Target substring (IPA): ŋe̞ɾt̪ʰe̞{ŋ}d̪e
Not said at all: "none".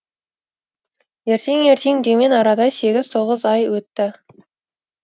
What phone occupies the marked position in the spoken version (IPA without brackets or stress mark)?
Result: ŋ